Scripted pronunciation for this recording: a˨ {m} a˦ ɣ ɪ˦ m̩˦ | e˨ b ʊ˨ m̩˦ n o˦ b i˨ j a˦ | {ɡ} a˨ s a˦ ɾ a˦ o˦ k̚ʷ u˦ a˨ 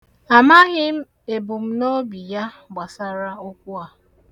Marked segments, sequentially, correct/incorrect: correct, incorrect: ɡ͡b

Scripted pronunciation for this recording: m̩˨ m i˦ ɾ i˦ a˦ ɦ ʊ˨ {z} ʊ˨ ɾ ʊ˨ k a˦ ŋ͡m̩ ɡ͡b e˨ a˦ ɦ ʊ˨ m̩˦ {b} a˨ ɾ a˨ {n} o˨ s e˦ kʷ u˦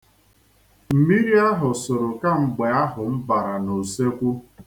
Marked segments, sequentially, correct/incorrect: incorrect: s, correct, correct

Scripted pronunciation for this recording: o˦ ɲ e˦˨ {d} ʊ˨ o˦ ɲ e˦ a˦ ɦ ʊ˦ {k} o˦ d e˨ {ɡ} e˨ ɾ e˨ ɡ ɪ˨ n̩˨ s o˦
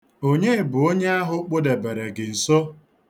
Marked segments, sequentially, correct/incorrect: incorrect: b, incorrect: k͡p, incorrect: b

